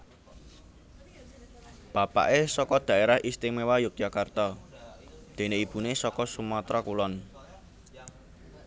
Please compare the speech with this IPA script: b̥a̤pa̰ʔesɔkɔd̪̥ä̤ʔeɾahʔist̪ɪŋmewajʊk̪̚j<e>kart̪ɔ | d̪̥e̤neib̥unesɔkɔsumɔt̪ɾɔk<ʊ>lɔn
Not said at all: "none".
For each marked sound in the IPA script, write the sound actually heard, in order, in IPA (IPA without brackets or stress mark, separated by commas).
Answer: a, u